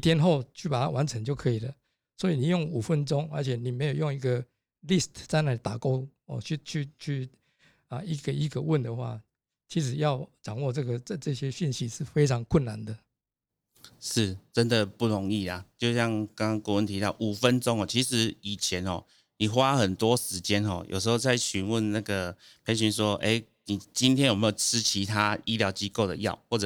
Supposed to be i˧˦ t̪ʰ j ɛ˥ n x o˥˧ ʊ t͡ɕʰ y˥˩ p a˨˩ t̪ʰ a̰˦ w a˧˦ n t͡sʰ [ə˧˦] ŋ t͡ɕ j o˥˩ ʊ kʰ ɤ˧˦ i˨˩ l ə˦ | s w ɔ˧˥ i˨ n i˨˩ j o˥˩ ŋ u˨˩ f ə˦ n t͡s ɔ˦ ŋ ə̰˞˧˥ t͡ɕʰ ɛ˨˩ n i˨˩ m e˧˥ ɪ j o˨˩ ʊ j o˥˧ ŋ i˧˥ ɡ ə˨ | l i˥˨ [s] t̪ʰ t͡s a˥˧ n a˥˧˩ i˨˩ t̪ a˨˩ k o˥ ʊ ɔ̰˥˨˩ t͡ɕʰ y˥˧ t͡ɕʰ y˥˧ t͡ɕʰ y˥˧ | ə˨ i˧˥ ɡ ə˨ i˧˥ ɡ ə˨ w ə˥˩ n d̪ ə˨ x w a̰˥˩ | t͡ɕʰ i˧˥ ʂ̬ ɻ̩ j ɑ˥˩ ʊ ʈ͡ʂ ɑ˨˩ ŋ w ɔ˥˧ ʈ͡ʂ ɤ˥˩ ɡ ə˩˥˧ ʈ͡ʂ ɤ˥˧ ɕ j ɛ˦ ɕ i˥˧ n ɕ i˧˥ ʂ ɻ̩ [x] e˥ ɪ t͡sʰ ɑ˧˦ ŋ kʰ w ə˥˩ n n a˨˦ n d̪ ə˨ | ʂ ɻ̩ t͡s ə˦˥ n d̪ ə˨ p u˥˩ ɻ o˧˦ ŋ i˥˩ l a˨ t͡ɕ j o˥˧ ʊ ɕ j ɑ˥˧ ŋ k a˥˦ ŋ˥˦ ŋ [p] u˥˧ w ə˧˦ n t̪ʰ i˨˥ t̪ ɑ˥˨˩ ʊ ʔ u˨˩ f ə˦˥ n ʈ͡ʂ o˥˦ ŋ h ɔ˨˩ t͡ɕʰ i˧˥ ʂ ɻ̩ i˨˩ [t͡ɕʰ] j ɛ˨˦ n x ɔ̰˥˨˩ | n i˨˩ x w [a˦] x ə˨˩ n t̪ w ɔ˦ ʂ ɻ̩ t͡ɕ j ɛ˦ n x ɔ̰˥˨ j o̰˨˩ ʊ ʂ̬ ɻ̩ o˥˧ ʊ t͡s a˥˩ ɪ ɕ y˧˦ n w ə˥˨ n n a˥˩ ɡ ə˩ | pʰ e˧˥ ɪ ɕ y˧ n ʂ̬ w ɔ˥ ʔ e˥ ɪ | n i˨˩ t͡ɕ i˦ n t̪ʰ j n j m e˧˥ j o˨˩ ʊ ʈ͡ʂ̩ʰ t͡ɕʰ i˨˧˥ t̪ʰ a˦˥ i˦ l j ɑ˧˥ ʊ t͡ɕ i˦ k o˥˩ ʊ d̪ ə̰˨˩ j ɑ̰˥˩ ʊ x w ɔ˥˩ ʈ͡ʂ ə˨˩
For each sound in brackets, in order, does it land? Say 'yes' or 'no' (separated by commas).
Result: yes, yes, no, no, yes, yes